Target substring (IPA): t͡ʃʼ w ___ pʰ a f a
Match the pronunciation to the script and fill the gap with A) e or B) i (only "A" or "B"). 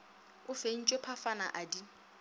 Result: A